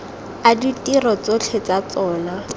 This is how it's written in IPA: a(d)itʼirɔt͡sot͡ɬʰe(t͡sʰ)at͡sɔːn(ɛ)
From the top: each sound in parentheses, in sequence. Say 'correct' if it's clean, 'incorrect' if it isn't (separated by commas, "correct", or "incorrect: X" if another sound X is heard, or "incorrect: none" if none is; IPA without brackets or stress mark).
correct, incorrect: t͡s, incorrect: a